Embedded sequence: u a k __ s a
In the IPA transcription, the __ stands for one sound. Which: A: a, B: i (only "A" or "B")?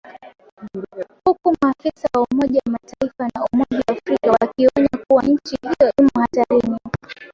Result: B